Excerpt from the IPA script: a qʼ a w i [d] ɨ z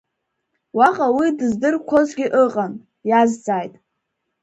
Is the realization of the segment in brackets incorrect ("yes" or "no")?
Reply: no